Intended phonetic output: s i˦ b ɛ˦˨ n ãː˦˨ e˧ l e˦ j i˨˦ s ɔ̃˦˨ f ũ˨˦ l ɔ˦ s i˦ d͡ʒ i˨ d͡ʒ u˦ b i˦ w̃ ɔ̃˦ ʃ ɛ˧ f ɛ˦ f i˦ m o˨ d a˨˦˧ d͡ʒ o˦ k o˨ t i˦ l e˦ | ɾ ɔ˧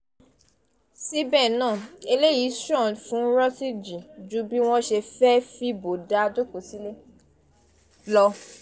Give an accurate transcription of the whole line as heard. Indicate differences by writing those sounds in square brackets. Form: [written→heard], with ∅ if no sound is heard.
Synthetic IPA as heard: s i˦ b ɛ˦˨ n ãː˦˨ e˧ l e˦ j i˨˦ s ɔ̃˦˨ f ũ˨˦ [l→ɾ] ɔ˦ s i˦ d͡ʒ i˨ d͡ʒ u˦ b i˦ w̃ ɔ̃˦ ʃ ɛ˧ f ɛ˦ f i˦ [m→b] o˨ d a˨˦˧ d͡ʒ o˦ k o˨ [t→s] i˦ l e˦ | [ɾ→l] ɔ˧